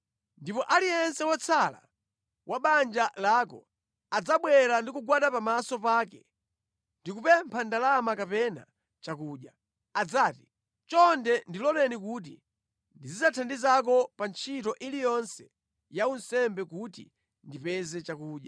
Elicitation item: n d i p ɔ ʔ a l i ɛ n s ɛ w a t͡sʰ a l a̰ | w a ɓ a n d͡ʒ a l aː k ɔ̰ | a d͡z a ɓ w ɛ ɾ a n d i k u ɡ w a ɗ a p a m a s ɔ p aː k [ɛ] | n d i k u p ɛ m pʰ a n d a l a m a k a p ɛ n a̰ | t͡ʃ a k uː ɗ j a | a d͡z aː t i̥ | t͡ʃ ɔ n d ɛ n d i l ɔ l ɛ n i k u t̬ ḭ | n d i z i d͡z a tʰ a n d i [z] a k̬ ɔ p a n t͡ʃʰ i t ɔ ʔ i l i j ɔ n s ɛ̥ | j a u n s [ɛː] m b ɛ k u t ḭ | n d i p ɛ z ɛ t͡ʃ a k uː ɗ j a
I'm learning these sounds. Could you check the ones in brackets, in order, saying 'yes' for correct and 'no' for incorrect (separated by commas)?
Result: yes, yes, no